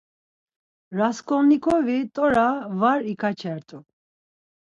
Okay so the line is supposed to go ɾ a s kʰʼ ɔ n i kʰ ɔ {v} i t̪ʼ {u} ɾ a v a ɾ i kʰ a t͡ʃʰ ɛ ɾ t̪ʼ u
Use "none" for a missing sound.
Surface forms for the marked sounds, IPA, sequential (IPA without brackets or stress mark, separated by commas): v, ɔ